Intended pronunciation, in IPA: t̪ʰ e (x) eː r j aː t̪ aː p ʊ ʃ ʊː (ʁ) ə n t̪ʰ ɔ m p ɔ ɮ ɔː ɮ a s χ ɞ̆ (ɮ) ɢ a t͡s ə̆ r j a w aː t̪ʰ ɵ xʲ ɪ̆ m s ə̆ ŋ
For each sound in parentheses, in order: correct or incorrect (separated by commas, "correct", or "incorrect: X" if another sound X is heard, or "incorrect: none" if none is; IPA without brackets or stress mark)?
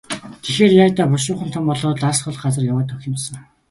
correct, incorrect: χ, correct